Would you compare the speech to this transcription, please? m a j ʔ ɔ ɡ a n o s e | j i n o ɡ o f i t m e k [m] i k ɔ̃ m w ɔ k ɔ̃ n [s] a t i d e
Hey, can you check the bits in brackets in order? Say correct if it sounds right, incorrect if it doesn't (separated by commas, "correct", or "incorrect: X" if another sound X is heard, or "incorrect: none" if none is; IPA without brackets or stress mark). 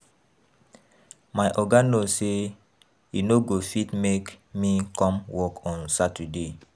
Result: correct, correct